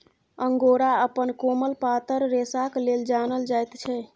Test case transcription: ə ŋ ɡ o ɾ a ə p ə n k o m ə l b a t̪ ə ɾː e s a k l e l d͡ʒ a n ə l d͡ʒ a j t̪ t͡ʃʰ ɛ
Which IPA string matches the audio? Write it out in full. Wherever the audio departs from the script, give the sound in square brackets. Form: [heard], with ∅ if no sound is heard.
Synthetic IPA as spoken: ə ŋ ɡ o ɾ a ə p ə n k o m ə l [p] a t̪ ə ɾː e s a k l e l d͡ʒ a n ə l d͡ʒ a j t̪ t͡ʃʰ ɛ